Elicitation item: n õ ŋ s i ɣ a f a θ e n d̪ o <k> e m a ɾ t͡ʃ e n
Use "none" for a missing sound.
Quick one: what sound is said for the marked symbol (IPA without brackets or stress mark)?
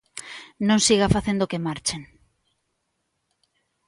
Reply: k